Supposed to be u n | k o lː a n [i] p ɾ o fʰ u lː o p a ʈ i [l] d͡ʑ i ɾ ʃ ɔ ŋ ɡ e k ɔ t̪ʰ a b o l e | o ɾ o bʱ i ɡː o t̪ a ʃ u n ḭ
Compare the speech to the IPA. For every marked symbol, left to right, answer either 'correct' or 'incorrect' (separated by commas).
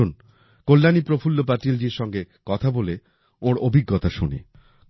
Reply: correct, correct